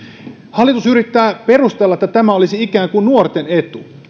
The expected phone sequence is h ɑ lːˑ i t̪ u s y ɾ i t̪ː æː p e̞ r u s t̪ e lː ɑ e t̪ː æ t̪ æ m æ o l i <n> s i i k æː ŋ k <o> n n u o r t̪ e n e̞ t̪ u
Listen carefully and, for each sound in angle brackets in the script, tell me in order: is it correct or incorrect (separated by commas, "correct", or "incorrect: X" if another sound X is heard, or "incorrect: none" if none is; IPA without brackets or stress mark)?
incorrect: none, incorrect: u